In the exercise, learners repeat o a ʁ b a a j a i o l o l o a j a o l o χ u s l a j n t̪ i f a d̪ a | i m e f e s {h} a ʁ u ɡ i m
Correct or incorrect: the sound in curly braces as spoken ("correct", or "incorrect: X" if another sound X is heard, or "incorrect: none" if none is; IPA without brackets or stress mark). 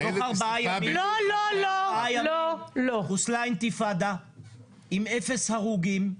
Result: correct